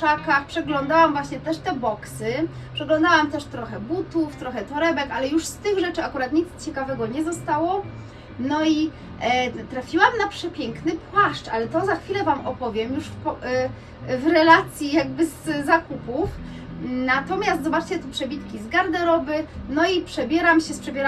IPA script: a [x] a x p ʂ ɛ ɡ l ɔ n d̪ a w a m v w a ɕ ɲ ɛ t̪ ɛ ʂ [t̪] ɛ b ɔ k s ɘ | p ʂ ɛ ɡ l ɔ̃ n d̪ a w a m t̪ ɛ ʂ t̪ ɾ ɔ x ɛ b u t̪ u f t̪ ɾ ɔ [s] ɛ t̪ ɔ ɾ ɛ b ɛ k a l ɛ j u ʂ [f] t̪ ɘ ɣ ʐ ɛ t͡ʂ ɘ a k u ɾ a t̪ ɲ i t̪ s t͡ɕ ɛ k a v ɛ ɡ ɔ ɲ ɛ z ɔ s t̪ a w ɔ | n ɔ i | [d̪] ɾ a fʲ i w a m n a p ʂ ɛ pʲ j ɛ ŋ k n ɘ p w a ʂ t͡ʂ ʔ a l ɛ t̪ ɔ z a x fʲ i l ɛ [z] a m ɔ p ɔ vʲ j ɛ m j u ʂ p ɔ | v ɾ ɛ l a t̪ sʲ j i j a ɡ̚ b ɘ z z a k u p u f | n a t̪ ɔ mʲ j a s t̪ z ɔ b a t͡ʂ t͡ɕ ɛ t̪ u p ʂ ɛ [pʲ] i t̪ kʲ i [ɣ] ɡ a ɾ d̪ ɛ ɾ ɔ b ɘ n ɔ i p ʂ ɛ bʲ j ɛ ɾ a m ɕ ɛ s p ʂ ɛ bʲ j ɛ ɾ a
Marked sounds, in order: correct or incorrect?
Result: incorrect, correct, incorrect, incorrect, incorrect, incorrect, incorrect, incorrect

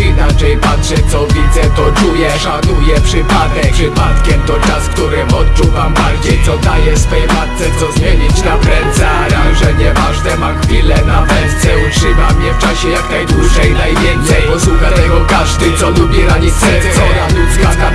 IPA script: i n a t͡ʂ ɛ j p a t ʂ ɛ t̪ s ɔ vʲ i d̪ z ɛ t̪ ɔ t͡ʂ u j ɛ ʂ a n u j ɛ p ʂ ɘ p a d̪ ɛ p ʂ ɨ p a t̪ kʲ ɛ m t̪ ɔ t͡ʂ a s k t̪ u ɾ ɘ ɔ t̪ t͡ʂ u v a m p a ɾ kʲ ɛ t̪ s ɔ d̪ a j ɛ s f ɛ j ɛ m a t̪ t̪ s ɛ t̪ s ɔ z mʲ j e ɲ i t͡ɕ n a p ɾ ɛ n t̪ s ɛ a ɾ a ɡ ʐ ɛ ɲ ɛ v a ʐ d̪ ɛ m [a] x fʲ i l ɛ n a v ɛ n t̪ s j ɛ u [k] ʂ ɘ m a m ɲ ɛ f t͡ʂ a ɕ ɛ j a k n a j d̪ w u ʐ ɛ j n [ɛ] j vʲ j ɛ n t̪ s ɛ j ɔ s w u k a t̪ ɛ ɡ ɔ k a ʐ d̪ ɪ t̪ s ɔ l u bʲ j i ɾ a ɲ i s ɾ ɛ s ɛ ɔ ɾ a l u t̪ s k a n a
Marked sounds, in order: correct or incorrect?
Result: correct, incorrect, incorrect

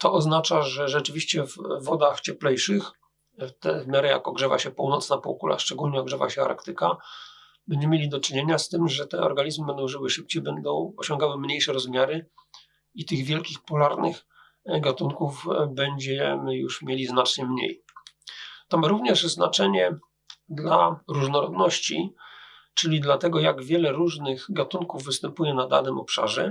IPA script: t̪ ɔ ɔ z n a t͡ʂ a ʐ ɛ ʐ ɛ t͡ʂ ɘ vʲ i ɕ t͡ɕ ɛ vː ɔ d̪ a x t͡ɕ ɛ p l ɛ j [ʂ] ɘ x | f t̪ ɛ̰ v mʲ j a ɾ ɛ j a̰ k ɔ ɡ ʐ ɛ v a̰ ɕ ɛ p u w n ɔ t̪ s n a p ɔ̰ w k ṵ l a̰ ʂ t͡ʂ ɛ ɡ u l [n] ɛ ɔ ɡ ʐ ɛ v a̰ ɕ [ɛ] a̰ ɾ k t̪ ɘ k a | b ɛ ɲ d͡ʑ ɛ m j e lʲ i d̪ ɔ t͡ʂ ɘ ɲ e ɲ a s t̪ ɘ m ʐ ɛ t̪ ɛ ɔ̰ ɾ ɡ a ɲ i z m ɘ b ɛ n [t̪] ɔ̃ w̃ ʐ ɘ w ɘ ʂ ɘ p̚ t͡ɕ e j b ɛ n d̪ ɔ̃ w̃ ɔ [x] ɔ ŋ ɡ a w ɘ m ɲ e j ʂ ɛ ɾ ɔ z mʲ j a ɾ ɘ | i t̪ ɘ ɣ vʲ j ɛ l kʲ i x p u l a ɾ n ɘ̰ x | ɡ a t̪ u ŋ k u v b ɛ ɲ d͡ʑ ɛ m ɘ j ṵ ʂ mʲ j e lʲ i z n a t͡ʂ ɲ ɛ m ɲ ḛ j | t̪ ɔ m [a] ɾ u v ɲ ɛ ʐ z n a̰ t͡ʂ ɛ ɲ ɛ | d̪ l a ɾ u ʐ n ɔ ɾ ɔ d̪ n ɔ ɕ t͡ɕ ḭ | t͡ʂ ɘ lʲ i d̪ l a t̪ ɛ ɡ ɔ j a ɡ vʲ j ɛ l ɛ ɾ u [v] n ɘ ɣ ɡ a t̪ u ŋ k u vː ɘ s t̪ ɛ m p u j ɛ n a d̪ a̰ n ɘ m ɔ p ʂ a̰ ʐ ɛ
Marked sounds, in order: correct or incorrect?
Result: correct, incorrect, correct, incorrect, incorrect, correct, incorrect

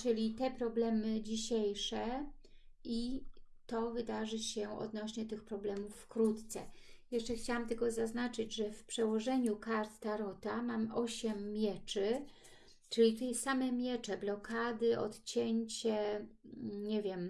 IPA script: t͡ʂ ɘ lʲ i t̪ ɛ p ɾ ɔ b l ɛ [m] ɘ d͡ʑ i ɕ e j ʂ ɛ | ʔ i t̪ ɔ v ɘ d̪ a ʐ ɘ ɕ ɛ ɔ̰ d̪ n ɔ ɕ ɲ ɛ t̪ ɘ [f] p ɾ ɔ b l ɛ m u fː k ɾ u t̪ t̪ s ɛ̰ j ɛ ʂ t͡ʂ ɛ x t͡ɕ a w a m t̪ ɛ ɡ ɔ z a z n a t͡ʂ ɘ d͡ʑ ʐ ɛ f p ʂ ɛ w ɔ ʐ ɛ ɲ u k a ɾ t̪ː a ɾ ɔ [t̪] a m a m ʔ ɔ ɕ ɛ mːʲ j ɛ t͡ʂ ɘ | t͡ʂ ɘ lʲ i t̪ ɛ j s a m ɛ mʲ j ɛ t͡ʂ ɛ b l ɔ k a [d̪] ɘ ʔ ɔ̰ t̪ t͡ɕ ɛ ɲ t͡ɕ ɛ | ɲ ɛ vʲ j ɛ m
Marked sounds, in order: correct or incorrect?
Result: correct, incorrect, correct, correct

